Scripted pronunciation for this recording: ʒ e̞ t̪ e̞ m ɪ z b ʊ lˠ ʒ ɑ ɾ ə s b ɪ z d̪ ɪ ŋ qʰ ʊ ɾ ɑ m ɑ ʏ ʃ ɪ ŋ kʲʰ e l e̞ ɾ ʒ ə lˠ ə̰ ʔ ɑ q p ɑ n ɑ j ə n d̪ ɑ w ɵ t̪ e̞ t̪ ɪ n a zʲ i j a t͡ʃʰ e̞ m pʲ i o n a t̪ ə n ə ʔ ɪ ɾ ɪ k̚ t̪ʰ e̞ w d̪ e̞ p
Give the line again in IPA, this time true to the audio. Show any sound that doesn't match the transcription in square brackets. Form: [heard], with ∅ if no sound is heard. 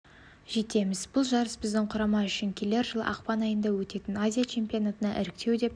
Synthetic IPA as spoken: ʒ e̞ t̪ e̞ m ɪ z b ʊ lˠ ʒ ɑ ɾ ə s b ɪ z d̪ ɪ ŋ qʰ ʊ ɾ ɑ m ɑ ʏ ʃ ɪ ŋ kʲʰ e l e̞ ɾ ʒ ə lˠ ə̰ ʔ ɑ q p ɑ n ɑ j ə n d̪ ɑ w ɵ t̪ e̞ t̪ ɪ n a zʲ i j a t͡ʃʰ e̞ m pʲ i o n a t̪ ə n [ɑ] ʔ ɪ ɾ ɪ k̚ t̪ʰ e̞ w d̪ e̞ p

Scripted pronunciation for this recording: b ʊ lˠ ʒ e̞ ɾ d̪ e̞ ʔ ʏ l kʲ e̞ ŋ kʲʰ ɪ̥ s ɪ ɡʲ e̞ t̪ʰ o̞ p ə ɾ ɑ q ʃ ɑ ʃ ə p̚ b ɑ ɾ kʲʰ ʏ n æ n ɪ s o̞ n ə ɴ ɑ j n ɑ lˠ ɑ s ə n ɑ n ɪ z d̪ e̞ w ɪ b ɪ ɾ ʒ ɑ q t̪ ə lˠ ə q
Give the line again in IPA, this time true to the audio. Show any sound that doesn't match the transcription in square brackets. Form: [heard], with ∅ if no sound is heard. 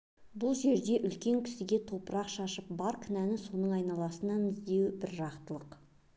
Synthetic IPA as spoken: b ʊ lˠ ʒ e̞ ɾ d̪ e̞ ʔ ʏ l kʲ e̞ ŋ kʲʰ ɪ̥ s ɪ ɡʲ e̞ t̪ʰ o̞ p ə ɾ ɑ q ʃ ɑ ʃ ə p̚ b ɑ ɾ kʲʰ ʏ n æ n ɪ s o̞ n ə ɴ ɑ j n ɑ lˠ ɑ s ə n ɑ n ɪ z d̪ e̞ w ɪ b ɪ ɾ ʒ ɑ q t̪ ə lˠ ə q

